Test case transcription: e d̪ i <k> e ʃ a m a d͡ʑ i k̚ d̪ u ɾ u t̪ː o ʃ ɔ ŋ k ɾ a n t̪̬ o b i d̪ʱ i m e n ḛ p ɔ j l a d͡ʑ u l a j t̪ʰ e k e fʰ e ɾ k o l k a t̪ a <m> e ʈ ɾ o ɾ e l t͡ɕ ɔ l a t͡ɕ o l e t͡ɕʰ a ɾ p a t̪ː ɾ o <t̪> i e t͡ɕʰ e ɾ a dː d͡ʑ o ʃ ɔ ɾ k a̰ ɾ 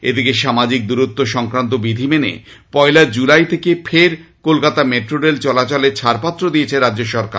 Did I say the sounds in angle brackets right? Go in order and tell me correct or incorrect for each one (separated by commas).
correct, correct, incorrect